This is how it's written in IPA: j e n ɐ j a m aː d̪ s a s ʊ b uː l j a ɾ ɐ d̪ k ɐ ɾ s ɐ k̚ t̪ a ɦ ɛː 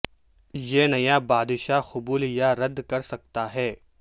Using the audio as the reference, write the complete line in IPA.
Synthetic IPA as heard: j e n ɐ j a b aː d̪ ʃ a x ʊ b uː l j a ɾ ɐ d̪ k ɐ ɾ s ɐ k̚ t̪ a ɦ ɛː